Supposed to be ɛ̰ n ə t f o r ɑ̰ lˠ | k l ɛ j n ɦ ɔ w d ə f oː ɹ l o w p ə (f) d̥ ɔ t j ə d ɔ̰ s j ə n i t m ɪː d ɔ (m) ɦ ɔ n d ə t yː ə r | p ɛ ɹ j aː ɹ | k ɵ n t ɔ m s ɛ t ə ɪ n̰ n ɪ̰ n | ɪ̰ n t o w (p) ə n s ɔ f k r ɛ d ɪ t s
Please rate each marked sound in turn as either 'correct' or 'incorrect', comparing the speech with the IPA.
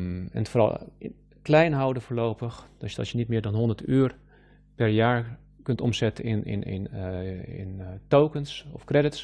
incorrect: x, incorrect: n, incorrect: k

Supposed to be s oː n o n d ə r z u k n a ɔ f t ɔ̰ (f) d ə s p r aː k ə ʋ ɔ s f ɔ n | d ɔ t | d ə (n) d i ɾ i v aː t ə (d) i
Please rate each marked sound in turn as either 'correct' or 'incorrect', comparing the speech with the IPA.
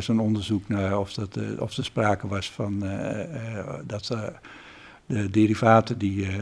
correct, incorrect: none, correct

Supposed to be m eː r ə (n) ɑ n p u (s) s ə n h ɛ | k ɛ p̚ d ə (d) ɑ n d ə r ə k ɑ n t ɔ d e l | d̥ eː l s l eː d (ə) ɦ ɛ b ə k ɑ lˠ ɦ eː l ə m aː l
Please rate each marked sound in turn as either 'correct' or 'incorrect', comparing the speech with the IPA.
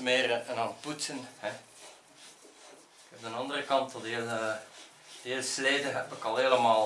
correct, incorrect: t, incorrect: n, correct

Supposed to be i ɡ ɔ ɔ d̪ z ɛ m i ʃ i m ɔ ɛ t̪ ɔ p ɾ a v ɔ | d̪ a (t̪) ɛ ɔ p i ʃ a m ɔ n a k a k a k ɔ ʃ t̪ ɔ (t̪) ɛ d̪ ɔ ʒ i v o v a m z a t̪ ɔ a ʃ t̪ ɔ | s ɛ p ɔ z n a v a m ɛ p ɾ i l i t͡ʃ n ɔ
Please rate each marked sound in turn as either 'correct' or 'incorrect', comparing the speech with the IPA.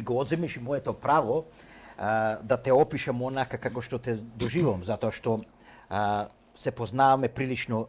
correct, correct

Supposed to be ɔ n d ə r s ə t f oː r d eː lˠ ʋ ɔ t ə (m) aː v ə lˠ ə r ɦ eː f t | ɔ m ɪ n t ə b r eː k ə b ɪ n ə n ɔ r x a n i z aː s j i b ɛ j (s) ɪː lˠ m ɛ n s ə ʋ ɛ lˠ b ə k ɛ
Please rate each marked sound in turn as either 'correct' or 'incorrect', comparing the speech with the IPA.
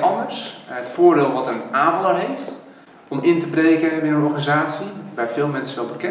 incorrect: n, incorrect: f

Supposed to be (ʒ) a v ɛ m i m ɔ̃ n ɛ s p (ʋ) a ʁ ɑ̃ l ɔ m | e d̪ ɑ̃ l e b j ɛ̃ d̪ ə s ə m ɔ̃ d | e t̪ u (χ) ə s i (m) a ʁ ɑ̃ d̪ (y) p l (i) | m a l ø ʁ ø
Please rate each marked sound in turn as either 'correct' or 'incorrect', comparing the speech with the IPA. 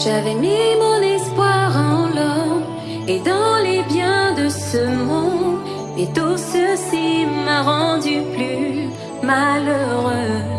correct, incorrect: w, incorrect: s, correct, correct, incorrect: y

